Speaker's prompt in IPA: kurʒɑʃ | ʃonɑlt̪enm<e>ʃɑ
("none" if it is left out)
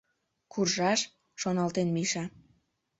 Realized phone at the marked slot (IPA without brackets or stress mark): i